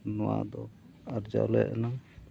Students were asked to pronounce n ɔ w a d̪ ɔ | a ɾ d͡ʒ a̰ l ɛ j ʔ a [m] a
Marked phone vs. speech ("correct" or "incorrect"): incorrect